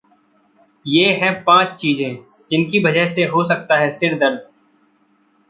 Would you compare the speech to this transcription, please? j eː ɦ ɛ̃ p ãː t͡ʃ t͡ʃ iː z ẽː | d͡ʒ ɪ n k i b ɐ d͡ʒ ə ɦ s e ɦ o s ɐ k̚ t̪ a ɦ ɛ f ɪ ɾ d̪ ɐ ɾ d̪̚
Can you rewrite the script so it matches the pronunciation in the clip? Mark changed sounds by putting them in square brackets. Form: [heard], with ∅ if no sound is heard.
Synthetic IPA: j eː ɦ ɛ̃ p ãː t͡ʃ t͡ʃ iː z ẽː | d͡ʒ ɪ n k i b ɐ d͡ʒ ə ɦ s e ɦ o s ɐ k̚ t̪ a ɦ ɛ [s] ɪ ɾ d̪ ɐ ɾ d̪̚